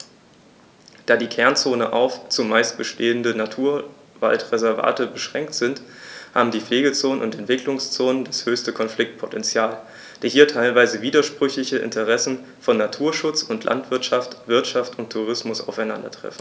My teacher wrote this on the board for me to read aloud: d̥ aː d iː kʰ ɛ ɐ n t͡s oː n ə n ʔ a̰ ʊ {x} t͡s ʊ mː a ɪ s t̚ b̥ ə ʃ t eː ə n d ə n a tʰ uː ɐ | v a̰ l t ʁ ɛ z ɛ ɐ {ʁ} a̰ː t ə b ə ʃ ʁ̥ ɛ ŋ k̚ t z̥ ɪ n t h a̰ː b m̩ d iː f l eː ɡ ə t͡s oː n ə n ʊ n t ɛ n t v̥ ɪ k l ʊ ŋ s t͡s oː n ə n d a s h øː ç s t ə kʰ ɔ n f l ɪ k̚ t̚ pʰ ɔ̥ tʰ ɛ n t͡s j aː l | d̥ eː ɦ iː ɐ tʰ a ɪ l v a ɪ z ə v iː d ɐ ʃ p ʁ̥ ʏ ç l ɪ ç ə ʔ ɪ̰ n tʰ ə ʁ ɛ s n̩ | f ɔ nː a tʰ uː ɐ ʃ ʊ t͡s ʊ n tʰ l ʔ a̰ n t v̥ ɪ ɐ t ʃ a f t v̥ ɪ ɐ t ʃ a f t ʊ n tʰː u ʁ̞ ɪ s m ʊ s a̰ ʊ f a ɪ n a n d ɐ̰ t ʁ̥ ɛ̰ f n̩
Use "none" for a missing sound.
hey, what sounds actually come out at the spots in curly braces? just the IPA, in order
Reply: f, v

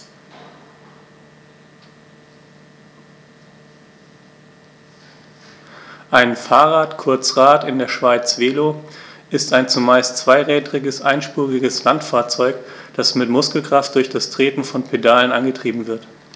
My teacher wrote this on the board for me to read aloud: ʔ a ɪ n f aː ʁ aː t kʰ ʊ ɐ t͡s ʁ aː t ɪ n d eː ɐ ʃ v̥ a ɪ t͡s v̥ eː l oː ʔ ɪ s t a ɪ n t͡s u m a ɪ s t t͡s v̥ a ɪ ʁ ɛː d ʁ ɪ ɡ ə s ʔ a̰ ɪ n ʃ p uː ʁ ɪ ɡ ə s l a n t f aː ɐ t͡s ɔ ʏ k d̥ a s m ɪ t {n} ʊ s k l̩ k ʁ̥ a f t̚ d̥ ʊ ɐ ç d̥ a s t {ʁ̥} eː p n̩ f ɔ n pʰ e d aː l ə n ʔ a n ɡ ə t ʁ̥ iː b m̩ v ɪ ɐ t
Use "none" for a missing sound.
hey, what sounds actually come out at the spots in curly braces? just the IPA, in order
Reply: m, ʁ̥

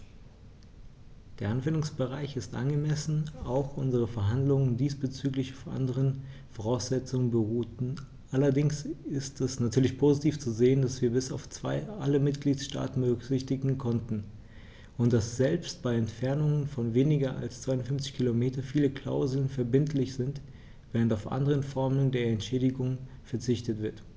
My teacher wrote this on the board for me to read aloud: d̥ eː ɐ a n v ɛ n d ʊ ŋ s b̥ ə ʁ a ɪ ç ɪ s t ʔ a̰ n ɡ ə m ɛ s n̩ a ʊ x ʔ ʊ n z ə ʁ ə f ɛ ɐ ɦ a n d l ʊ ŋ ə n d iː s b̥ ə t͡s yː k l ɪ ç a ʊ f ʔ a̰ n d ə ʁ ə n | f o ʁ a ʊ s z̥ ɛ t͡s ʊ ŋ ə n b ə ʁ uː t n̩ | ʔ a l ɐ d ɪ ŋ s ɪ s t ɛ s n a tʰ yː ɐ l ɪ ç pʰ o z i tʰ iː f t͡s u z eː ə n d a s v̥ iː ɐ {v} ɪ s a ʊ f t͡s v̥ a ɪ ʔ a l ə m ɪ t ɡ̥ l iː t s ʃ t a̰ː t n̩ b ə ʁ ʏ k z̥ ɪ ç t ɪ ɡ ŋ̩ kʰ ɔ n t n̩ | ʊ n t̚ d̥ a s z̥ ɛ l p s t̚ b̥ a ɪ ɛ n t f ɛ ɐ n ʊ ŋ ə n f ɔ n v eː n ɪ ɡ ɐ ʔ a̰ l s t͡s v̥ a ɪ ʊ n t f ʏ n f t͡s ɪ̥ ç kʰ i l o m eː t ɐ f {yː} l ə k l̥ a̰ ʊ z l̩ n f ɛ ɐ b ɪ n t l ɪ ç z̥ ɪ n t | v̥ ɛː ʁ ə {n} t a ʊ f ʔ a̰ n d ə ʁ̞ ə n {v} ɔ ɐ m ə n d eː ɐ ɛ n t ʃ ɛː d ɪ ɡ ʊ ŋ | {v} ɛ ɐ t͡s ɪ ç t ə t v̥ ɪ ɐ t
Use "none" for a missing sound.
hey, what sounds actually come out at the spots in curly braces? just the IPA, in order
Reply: b, iː, n, f, f

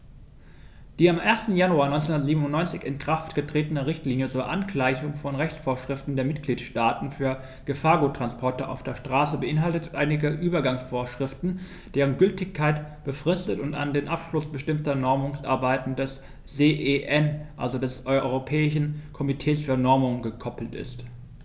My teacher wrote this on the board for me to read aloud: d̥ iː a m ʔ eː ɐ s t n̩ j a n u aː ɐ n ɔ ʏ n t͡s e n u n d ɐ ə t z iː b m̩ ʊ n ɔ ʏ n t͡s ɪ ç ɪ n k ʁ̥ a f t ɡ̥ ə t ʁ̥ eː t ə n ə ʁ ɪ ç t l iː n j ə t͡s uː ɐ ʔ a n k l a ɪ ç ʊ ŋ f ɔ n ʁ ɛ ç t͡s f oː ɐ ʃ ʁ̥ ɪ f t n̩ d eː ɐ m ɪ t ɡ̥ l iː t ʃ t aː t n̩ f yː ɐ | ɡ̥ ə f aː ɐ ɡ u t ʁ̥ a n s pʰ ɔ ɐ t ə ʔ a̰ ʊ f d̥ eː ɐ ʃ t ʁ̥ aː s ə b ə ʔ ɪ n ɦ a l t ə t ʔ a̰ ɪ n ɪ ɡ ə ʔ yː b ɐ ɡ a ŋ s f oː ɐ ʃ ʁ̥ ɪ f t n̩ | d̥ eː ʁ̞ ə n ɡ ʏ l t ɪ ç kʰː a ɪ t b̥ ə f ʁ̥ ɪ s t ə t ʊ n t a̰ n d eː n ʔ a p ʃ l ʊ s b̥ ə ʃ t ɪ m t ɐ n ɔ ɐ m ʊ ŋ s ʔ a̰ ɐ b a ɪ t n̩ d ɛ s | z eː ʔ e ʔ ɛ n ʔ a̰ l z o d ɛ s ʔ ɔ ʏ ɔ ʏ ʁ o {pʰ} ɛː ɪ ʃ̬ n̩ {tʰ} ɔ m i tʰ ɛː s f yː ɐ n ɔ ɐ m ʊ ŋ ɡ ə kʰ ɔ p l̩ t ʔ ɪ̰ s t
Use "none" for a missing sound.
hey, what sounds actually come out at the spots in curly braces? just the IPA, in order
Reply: pʰ, kʰ

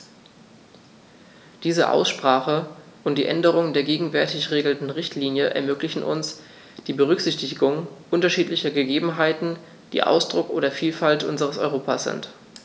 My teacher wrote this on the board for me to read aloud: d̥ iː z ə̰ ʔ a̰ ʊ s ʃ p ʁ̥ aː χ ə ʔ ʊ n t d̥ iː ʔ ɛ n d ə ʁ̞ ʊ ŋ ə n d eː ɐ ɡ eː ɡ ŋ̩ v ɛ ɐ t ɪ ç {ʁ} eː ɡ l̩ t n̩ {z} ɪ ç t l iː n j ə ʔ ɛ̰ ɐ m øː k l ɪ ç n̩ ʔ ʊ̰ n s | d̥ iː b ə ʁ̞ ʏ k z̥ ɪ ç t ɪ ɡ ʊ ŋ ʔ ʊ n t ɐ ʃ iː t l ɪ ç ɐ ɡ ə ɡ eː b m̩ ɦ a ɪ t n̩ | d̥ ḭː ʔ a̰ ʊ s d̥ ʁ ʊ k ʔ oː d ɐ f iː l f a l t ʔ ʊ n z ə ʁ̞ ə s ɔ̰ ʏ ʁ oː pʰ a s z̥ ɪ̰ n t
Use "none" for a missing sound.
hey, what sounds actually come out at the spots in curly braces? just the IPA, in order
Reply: ʁ, ʁ

